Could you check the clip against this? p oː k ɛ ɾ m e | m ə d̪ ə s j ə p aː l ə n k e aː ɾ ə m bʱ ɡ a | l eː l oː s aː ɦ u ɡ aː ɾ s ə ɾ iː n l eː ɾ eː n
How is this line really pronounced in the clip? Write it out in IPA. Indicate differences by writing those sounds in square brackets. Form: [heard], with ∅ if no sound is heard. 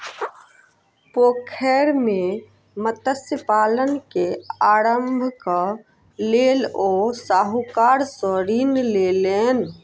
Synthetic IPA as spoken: p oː [kʰ] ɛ ɾ m e | m ə [t̪] ə s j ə p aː l ə n k e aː ɾ ə m bʱ [k] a | l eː l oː s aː ɦ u [k] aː ɾ s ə ɾ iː n l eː [l] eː n